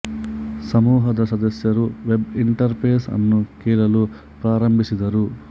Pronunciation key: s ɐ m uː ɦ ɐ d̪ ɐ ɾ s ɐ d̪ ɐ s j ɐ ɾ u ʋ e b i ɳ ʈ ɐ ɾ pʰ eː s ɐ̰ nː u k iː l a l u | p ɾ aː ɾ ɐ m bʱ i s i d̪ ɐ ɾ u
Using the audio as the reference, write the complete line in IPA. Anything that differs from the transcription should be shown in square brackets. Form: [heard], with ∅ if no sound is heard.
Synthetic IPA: s ɐ m uː ɦ ɐ d̪ ɐ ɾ s ɐ d̪ ɐ s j ɐ ɾ u ʋ e b i ɳ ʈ ɐ ɾ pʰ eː s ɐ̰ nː u k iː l [ɐ] l u | p ɾ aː ɾ ɐ m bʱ i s i d̪ ɐ ɾ u